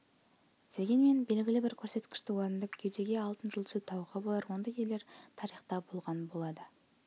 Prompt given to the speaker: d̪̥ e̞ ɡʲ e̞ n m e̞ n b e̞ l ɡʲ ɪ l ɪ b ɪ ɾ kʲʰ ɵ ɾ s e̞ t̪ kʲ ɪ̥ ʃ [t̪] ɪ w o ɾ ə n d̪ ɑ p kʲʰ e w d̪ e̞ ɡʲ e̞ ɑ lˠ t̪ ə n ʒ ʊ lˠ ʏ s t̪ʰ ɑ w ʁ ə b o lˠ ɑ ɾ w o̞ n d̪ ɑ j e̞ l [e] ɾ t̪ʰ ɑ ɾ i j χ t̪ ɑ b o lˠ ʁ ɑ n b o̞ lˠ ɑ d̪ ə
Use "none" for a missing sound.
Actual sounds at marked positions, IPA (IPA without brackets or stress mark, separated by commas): t̪, e